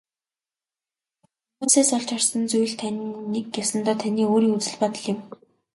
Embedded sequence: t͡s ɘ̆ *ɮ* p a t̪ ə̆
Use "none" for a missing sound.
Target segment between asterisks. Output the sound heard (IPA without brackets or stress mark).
ɮ